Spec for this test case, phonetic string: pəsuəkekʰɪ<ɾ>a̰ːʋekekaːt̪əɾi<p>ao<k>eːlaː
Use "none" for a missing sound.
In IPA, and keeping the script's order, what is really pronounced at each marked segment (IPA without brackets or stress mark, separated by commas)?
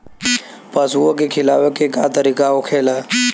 l, k, kʰ